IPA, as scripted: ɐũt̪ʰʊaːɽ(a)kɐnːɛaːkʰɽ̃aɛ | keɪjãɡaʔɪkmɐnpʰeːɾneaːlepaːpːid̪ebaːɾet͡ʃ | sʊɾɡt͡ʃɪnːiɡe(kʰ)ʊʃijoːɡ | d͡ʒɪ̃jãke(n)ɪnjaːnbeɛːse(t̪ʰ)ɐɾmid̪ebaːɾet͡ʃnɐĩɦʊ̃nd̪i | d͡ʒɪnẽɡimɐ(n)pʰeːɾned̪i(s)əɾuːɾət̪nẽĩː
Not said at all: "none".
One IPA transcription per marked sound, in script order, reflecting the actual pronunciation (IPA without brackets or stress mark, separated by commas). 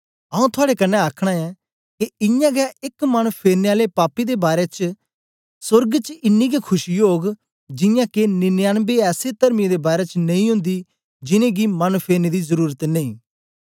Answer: e, kʰ, n, t̪, n, z